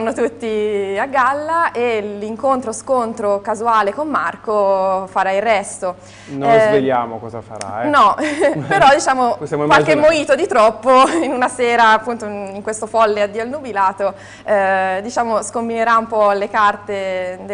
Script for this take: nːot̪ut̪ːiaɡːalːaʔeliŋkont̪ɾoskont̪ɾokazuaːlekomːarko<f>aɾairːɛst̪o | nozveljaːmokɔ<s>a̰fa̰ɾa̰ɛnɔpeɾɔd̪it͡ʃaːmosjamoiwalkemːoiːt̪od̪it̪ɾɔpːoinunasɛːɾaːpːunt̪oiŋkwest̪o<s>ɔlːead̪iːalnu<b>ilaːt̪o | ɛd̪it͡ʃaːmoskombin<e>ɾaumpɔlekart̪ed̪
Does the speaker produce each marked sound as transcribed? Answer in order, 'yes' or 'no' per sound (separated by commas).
yes, no, no, yes, yes